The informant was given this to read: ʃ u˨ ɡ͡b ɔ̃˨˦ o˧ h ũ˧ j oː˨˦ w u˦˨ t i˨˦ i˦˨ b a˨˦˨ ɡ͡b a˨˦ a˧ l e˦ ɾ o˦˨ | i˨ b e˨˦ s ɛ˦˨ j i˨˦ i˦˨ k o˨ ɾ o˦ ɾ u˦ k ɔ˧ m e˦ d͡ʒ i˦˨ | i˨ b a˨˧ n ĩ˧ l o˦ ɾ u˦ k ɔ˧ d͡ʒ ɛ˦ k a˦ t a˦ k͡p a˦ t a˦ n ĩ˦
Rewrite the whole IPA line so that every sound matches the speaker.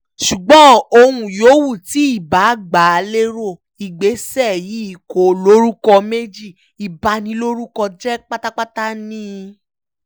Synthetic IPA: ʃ u˨ ɡ͡b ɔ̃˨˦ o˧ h ũ˧ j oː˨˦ w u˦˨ t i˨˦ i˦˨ b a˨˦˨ ɡ͡b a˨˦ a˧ l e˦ ɾ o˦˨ | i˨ ɡ͡b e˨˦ s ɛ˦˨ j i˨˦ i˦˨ k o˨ l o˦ ɾ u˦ k ɔ˧ m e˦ d͡ʒ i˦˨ | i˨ b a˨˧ n ĩ˧ l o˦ ɾ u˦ k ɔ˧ d͡ʒ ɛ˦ k͡p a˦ t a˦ k͡p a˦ t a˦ n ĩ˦